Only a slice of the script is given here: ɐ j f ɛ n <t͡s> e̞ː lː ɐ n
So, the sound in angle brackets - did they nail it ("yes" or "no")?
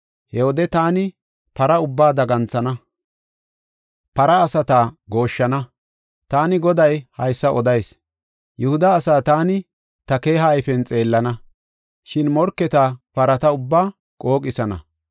no